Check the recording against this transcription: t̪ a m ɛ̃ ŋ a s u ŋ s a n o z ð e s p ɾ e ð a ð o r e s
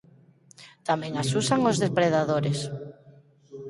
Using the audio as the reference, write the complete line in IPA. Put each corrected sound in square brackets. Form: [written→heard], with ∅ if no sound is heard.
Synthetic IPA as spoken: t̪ a m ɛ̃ ŋ a s u [ŋ→∅] s a [n→ŋ] o z ð e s p ɾ e ð a ð o [r→ɾ] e s

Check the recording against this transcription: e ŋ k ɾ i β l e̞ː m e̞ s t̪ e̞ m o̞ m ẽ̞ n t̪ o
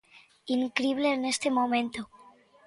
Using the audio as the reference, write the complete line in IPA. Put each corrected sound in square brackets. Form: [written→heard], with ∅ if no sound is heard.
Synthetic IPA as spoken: [e→i] ŋ k ɾ i β l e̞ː [m→n] e̞ s t̪ e̞ m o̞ m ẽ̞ n t̪ o

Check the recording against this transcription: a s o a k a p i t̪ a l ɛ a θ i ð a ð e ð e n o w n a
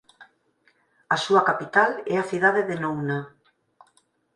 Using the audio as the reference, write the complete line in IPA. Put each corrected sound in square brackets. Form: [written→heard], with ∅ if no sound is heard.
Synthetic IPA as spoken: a s [o→u] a k a p i t̪ a l ɛ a θ i ð a ð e ð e n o w n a

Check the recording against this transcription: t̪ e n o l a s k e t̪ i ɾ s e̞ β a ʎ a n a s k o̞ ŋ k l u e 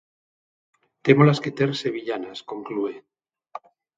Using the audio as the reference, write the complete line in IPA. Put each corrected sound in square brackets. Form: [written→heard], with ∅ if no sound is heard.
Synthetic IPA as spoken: t̪ e [n→m] o l a s k e t̪ [i→e] ɾ s e̞ β [a→i] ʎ a n a s k o̞ ŋ k l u e

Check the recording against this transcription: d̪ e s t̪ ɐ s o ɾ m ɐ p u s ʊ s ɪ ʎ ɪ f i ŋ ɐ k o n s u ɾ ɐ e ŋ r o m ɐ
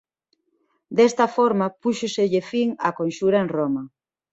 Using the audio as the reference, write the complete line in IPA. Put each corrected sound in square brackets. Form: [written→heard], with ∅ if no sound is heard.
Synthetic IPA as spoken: d̪ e s t̪ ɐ [s→f] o ɾ m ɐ p u [s→ʃ] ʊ s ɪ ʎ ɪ f i ŋ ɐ k o n [s→ʃ] u ɾ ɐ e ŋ r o m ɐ

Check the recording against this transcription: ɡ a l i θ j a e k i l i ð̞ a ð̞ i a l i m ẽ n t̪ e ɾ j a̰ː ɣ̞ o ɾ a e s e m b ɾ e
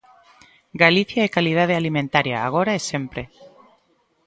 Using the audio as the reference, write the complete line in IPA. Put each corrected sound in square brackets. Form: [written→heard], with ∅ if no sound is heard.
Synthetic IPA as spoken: ɡ a l i θ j a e k [i→a] l i ð̞ a ð̞ [i→e] a l i m ẽ n t̪ [e→a] ɾ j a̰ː ɣ̞ o ɾ a e s e m [b→p] ɾ e

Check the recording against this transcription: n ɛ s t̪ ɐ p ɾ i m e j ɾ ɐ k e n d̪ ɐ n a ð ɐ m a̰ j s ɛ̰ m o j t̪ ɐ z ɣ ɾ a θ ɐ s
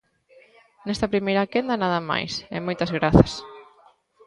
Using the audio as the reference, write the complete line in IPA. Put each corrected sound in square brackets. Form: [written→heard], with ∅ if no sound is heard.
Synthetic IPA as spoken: n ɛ s t̪ ɐ p ɾ i m e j ɾ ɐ k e n d̪ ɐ n a ð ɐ m a̰ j s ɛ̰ m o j t̪ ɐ z ɣ ɾ a θ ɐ s

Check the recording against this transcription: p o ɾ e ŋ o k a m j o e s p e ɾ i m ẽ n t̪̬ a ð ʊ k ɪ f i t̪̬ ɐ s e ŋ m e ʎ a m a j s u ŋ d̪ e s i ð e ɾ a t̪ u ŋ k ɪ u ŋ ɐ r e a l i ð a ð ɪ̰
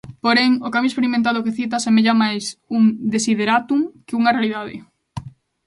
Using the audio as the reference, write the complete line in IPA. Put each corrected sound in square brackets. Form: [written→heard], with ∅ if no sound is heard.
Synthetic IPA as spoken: p o ɾ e ŋ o k a m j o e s p e ɾ i m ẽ n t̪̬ a ð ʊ k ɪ [f→θ] i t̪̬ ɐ s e [ŋ→∅] m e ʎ a m a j s u ŋ d̪ e s i ð e ɾ a t̪ u ŋ k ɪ u ŋ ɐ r e a l i ð a ð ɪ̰

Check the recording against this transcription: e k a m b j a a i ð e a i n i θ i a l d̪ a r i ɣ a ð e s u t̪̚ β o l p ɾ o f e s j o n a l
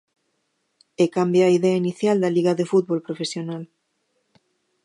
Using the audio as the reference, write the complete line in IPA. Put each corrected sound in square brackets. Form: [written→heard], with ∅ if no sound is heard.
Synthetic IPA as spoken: e k a m b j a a i ð e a i n i θ [i→j] a l d̪ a [r→l] i ɣ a ð e [s→f] u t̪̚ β o l p ɾ o f e s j o n a l

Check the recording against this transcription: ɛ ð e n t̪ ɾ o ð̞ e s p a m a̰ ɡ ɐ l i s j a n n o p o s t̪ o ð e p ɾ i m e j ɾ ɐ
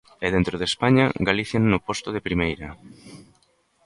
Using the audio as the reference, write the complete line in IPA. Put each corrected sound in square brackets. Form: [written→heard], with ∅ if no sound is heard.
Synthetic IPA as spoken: ɛ ð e n t̪ ɾ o ð̞ e s p a [m→ɲ] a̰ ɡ [ɐ→a] l i [s→θ] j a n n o p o s t̪ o ð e p ɾ i m e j ɾ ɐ

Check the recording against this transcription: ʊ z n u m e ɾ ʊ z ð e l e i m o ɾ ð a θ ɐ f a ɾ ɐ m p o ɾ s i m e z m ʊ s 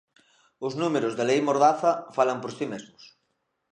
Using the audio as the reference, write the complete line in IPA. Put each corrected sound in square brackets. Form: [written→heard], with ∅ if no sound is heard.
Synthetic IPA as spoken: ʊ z n u m e ɾ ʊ z ð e l e [i→j] m o ɾ ð a θ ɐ f a [ɾ→l] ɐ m p o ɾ s i m e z m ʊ s

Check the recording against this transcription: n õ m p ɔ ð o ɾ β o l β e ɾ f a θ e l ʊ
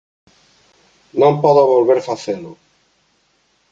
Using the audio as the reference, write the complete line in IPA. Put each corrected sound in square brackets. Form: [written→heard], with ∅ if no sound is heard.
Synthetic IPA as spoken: n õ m p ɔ ð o [ɾ→∅] β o l β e ɾ f a θ e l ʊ

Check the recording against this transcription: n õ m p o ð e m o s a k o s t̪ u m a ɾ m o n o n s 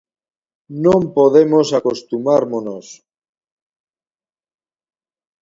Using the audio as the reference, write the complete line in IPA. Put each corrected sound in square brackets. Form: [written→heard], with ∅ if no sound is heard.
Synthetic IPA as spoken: n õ m p o ð e m o s a k o s t̪ u m a ɾ m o n o [n→∅] s

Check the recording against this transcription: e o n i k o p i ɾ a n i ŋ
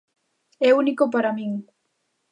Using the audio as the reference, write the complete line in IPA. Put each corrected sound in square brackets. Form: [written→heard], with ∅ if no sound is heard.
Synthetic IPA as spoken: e [o→u] n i k o p [i→a] ɾ a [n→m] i ŋ

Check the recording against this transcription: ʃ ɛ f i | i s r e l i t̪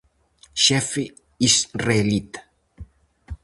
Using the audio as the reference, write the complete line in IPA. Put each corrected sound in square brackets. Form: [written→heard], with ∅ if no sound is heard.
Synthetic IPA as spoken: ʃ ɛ f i | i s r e l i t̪

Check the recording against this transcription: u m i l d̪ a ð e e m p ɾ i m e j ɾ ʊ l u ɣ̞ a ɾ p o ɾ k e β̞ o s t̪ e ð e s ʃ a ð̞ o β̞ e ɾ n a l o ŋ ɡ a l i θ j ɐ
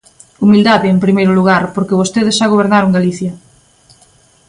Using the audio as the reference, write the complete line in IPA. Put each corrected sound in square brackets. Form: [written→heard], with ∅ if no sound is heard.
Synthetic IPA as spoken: u m i l d̪ a ð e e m p ɾ i m e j ɾ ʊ l u ɣ̞ a ɾ p o ɾ k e β̞ o s t̪ e ð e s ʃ a [ð̞→ɣ̞] o β̞ e ɾ n a [l→ɾ] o ŋ ɡ a l i θ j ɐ

